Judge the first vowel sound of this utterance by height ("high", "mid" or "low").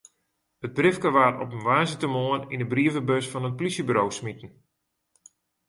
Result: mid